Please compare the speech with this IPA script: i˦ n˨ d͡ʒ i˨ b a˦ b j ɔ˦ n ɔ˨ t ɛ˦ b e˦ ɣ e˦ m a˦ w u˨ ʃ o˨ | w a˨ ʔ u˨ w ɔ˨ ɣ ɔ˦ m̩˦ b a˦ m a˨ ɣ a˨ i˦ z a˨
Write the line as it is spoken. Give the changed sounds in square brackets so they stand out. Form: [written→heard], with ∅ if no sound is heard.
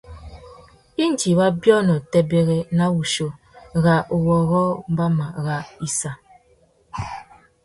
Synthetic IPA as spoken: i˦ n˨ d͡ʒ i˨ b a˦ b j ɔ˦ n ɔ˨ t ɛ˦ b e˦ ɣ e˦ [m→n] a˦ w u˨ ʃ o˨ | [w→ɣ] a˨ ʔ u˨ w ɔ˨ ɣ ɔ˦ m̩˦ b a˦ m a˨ ɣ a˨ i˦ [z→s] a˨